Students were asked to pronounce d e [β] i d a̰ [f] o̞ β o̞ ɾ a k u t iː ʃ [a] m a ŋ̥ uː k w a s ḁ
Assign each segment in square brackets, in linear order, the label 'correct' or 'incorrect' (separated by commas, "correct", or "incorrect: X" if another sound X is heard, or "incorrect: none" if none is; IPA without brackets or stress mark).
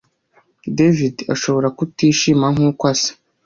incorrect: v, incorrect: ʃ, incorrect: i